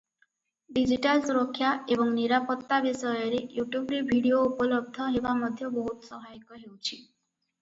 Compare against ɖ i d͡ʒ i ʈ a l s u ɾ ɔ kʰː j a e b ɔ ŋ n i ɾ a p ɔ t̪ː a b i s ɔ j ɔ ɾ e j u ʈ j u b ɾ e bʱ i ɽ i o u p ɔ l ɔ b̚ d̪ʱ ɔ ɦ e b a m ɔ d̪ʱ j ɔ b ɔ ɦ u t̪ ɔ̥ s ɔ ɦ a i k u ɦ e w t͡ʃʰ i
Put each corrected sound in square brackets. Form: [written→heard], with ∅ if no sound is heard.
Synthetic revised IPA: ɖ i d͡ʒ i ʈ a l s u ɾ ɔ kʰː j a e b ɔ ŋ n i ɾ a p ɔ t̪ː a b i s ɔ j ɔ ɾ e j u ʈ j u b ɾ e bʱ i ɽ i o u p ɔ l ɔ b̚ d̪ʱ ɔ ɦ e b a m ɔ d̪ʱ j ɔ b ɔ ɦ u t̪ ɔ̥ s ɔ ɦ a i k [u→ɔ] ɦ e w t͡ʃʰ i